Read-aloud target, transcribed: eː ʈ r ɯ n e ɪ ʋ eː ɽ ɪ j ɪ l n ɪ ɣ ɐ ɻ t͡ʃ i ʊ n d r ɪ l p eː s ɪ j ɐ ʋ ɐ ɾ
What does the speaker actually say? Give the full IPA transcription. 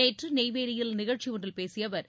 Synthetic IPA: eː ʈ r ɯ n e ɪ ʋ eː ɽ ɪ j ɪ l n ɪ ɣ ɐ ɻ t͡ʃ i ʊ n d r ɪ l p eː s ɪ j ɐ ʋ ɐ ɾ